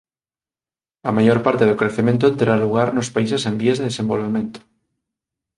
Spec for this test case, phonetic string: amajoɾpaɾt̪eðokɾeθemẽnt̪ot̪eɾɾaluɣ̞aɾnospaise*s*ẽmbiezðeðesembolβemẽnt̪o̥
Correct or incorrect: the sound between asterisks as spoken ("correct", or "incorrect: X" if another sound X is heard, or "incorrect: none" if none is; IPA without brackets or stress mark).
correct